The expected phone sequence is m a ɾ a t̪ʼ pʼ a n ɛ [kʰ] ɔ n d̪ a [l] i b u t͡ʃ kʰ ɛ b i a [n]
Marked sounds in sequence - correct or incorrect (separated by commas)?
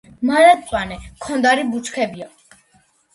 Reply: correct, incorrect, incorrect